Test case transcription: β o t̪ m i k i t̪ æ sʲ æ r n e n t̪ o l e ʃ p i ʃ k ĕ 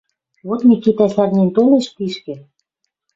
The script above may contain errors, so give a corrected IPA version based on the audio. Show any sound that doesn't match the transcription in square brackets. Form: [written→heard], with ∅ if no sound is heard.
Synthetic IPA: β o t̪ m i k i t̪ æ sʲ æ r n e n t̪ o l e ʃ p i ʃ k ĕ